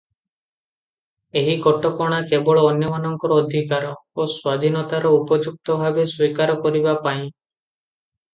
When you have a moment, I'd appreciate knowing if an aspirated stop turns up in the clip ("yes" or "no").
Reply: no